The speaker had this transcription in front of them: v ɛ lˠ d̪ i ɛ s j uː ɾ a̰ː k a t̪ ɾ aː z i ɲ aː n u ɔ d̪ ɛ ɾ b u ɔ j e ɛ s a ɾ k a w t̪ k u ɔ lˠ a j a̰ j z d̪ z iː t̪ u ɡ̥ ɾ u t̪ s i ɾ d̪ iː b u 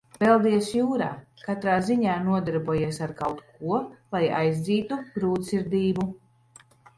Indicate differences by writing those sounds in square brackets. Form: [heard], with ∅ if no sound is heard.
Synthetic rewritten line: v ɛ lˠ d̪ i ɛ s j uː ɾ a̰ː k a t̪ ɾ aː z i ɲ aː n u ɔ d̪ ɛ ɾ b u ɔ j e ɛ s a ɾ k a w t̪ k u ɔ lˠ a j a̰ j z d̪ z iː t̪ u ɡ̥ ɾ [uː] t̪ s i ɾ d̪ iː b u